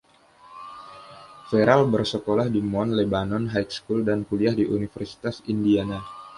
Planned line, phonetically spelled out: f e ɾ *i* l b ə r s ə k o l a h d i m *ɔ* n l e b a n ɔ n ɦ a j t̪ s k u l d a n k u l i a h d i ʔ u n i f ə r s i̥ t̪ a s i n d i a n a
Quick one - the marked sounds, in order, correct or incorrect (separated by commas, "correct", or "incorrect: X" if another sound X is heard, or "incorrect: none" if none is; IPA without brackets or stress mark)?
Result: incorrect: a, correct